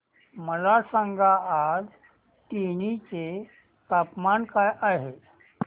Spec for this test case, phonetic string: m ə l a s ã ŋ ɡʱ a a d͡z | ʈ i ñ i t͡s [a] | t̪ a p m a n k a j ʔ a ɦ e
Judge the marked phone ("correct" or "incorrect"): incorrect